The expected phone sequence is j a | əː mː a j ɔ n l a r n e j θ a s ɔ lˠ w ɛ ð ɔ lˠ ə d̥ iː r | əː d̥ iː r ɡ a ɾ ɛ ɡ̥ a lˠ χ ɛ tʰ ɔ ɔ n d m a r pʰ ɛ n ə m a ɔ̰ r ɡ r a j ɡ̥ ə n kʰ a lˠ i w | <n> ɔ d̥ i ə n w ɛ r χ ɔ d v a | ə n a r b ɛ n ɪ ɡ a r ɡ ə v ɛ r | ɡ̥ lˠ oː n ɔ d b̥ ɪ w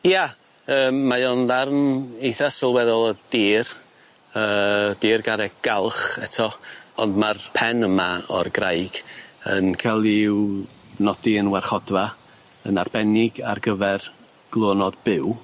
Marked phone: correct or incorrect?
correct